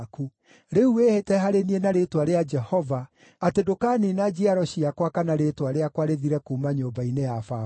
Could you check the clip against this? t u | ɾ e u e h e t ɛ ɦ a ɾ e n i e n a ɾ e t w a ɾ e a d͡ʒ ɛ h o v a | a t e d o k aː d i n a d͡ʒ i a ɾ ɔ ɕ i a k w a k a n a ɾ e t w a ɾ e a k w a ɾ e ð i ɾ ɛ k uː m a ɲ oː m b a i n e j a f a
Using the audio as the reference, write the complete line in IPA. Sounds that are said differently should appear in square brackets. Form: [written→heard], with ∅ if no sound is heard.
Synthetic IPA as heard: [t→k] u | ɾ e u e h e t ɛ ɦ a ɾ e n i e n a ɾ e t w a ɾ e a d͡ʒ ɛ h [o→ɔ] v a | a t e d o k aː [d→n] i n a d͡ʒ i a ɾ ɔ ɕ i a k w a k a n a ɾ e t w a ɾ e a k w a ɾ e ð i ɾ ɛ k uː m a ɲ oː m b a i n e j a f a